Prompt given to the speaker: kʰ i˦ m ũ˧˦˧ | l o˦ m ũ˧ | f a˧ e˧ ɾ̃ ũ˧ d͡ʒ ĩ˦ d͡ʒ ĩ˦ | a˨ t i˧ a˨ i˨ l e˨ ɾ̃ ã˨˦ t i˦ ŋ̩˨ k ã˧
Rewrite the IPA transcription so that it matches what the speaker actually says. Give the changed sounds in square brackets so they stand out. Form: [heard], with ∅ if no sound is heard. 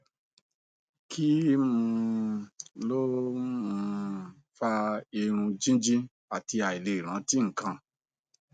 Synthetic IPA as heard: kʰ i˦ m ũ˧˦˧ | l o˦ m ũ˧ | f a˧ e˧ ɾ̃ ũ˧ d͡ʒ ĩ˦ d͡ʒ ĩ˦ | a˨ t i˧ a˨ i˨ l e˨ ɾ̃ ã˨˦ t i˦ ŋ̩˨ k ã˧